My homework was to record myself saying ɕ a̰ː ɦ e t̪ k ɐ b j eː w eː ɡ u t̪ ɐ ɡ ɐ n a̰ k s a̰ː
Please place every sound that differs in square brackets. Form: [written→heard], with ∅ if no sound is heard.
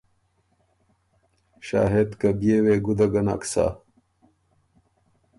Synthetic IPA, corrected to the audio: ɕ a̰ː ɦ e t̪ k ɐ b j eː w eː ɡ u [t̪→d̪] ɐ ɡ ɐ n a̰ k s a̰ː